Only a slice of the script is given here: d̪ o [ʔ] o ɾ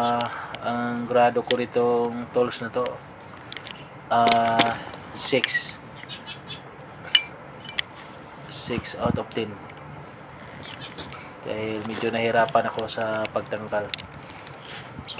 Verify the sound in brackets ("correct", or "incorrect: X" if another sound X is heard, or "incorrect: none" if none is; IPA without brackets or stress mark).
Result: incorrect: k